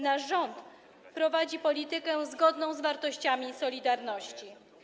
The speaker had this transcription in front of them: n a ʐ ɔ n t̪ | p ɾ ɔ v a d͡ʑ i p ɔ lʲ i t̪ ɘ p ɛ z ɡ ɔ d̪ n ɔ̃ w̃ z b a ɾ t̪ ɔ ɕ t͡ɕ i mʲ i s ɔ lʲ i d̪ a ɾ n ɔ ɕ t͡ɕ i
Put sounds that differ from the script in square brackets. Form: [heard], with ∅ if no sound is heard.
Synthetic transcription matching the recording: n a ʐ ɔ n t̪ | p ɾ ɔ v a d͡ʑ i p ɔ lʲ i t̪ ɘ [k] ɛ z ɡ ɔ d̪ n ɔ̃ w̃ z [v] a ɾ t̪ ɔ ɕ t͡ɕ [a] mʲ i s ɔ lʲ i d̪ a ɾ n ɔ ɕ t͡ɕ i